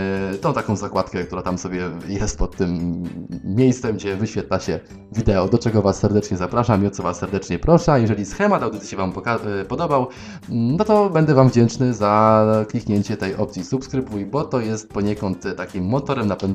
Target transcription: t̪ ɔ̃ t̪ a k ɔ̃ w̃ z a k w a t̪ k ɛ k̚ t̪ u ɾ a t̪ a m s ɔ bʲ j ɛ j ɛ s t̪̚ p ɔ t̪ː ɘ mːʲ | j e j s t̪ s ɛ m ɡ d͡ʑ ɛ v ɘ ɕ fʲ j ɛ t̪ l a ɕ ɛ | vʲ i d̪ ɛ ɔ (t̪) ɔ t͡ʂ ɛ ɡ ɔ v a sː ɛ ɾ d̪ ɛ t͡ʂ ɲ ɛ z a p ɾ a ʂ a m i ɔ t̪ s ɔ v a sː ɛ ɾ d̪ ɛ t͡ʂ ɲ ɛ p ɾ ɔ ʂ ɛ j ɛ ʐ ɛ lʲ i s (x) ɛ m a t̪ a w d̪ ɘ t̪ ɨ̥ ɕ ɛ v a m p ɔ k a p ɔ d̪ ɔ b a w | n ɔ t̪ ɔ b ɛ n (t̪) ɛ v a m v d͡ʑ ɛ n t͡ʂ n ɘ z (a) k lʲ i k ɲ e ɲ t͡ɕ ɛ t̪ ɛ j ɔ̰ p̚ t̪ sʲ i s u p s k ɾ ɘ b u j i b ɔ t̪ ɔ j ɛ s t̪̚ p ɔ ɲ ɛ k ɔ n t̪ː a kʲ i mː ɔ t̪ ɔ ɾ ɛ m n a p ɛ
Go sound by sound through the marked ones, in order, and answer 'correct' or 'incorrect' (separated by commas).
incorrect, correct, incorrect, correct